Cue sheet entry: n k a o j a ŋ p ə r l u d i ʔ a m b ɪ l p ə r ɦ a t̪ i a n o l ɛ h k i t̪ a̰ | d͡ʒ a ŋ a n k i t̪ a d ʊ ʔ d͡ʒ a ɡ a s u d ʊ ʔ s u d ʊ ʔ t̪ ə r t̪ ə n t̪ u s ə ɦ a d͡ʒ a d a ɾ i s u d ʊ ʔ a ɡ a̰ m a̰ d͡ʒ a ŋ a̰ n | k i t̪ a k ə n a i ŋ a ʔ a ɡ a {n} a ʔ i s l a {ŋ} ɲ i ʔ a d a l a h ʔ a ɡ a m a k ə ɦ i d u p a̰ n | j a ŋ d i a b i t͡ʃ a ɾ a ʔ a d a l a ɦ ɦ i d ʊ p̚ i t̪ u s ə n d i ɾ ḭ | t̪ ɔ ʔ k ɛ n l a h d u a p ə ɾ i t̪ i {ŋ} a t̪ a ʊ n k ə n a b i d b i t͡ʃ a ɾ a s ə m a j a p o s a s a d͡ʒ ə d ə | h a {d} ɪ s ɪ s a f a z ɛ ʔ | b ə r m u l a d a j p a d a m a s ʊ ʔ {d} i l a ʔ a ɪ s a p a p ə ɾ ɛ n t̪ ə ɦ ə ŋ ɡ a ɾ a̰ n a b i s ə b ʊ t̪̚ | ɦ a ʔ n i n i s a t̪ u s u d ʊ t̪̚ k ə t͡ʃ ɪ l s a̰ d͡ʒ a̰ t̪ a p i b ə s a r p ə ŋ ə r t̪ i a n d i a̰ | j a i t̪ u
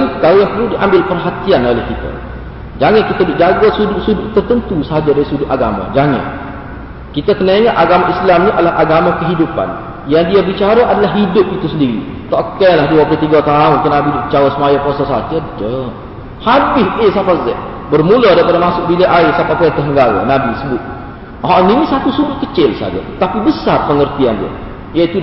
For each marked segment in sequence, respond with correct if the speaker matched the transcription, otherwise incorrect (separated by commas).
incorrect, incorrect, incorrect, incorrect, incorrect